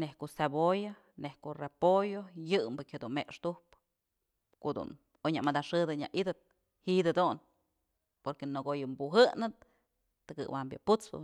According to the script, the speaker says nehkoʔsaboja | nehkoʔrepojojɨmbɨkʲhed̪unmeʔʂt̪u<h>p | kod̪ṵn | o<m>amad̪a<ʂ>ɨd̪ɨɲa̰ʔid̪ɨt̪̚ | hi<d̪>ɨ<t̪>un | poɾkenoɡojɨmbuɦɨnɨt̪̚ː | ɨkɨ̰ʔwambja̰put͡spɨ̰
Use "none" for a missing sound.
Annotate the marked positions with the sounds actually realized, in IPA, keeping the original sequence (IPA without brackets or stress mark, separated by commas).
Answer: h, ɲ, ʂ, d̪, d̪